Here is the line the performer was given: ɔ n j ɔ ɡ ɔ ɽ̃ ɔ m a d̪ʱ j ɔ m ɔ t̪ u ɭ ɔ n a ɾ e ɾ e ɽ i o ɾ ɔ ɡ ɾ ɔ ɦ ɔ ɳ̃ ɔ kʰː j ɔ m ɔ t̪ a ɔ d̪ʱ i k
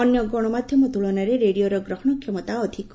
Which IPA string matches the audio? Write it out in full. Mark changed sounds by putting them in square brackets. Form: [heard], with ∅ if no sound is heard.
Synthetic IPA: ɔ n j ɔ ɡ ɔ ɽ̃ ɔ m a d̪ʱ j ɔ m ɔ t̪ u ɭ ɔ n a ɾ e ɾ e ɽ i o ɾ ɔ ɡ ɾ ɔ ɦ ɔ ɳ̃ ɔ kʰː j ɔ m ɔ t̪ a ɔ d̪ʱ i k